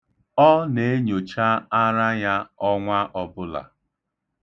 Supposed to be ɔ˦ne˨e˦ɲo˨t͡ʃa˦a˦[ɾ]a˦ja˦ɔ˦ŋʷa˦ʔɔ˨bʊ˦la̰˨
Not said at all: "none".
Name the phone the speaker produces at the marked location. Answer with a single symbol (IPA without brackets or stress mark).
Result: ɾ